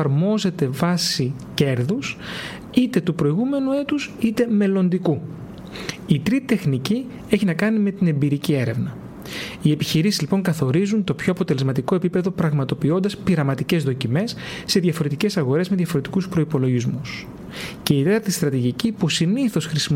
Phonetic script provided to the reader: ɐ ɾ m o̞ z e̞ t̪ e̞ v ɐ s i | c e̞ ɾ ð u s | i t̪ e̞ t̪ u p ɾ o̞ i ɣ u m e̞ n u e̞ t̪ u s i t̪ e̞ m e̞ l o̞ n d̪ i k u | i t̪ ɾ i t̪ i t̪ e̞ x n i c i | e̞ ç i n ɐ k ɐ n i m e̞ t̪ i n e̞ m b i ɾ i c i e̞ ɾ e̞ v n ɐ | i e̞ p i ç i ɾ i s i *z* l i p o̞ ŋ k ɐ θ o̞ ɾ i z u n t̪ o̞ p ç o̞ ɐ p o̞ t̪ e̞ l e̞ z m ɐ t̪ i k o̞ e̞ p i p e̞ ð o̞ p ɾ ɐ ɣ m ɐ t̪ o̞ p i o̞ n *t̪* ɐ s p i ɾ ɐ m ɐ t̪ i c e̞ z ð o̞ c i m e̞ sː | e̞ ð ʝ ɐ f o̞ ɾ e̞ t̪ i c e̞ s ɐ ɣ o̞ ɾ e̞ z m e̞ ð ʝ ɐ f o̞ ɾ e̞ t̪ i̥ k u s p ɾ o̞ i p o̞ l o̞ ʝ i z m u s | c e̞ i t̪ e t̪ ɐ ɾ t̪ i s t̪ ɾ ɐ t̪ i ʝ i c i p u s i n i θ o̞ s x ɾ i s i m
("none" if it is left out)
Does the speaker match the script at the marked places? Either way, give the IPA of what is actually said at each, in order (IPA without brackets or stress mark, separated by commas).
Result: z, d̪